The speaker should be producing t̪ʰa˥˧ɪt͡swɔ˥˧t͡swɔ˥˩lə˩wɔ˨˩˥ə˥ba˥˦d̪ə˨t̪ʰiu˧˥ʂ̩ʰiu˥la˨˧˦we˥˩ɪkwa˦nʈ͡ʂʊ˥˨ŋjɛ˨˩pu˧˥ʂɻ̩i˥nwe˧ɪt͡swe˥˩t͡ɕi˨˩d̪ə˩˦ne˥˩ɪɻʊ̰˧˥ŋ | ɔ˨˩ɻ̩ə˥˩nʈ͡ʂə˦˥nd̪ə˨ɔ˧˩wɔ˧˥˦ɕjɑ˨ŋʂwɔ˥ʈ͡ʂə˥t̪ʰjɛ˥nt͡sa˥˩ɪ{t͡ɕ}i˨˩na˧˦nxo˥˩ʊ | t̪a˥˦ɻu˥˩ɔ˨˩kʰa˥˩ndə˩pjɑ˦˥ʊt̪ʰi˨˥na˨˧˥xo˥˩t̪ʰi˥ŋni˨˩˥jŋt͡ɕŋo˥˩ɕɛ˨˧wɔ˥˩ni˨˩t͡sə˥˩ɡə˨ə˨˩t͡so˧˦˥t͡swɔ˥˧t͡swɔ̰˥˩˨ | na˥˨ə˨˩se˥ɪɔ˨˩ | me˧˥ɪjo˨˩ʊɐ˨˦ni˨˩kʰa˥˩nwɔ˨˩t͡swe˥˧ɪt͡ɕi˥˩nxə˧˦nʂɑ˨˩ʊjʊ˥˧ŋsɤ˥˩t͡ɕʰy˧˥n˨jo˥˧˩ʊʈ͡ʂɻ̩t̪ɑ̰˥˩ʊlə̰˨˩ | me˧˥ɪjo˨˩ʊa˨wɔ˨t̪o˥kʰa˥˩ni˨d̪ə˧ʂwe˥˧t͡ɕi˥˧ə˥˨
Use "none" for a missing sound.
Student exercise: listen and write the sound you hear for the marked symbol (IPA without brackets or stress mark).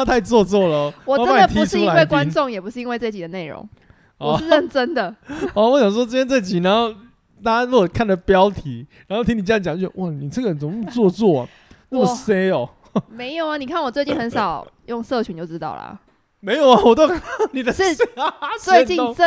t͡ɕ